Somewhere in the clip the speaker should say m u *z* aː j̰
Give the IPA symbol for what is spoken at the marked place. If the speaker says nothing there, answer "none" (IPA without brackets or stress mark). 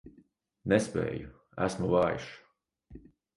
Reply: v